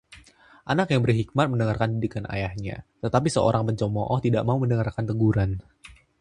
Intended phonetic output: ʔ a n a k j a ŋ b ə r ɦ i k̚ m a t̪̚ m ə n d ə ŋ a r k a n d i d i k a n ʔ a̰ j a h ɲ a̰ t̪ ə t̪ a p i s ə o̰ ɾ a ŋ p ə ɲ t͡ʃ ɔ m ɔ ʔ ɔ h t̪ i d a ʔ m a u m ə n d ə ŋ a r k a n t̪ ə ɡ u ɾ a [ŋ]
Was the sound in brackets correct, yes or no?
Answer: no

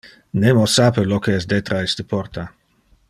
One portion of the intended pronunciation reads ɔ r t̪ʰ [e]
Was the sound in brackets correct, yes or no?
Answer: no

